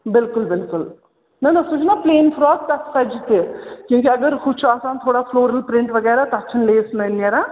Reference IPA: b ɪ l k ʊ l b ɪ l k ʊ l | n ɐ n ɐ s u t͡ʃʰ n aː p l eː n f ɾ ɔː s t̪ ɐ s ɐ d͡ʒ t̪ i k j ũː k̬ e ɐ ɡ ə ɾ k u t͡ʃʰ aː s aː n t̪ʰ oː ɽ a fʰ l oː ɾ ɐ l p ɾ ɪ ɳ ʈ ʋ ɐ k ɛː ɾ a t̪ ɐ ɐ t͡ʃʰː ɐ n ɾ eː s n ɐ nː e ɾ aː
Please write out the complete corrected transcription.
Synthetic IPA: b ɪ l k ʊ l b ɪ l k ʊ l | n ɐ n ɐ s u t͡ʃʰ n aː p l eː n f ɾ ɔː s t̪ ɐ s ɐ d͡ʒ t̪ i k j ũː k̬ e ɐ ɡ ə ɾ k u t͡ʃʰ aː s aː n t̪ʰ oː ɽ a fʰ l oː ɾ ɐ l p ɾ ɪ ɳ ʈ ʋ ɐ ɡ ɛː ɾ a t̪ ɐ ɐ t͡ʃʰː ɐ n l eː s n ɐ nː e ɾ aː